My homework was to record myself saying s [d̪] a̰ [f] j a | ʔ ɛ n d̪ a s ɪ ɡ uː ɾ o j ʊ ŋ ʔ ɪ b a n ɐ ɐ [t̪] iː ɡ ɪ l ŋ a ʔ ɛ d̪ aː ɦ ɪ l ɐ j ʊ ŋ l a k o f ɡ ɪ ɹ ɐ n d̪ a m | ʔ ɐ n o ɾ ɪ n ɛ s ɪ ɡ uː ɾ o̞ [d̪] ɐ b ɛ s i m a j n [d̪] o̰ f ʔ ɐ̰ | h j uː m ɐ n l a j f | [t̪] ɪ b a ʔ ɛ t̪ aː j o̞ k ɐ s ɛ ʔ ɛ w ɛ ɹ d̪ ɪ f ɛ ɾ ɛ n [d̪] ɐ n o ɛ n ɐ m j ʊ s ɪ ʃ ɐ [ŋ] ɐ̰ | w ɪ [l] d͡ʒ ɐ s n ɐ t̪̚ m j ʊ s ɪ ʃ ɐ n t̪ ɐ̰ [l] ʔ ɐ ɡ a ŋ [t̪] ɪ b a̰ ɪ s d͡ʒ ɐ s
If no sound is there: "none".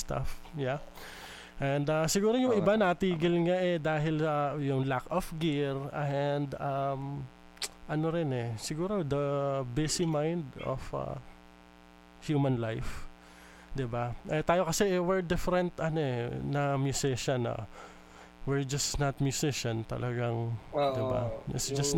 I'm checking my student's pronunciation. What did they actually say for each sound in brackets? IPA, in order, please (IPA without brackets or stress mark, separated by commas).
t̪, f, t̪, d̪, d̪, d̪, t̪, n, ɹ, l, d̪